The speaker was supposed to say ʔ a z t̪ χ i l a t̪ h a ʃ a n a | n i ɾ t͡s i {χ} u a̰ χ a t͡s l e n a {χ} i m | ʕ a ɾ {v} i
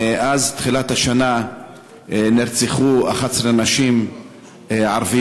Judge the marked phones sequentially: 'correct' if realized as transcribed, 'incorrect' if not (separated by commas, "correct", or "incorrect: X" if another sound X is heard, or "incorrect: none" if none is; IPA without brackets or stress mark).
correct, incorrect: ʃ, correct